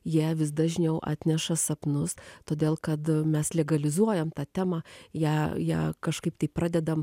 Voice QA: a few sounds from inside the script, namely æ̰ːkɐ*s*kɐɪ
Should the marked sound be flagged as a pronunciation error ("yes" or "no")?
yes